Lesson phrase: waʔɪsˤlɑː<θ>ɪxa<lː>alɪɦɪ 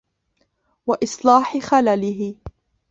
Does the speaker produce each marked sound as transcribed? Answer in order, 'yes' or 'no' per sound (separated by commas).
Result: no, no